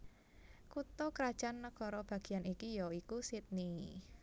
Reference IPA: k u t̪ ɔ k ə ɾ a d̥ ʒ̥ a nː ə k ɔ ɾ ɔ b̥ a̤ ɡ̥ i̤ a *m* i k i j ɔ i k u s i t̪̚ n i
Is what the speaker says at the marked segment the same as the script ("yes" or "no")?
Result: no